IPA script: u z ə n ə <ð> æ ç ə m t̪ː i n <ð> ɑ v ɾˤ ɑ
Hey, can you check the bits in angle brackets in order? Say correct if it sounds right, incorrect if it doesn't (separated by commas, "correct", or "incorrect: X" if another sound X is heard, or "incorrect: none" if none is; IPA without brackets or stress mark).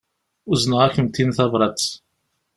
incorrect: ʁ, incorrect: θ